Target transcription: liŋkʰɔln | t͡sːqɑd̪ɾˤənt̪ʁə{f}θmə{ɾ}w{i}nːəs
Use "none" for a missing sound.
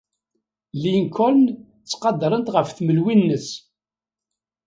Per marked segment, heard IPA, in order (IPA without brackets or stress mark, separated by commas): f, l, i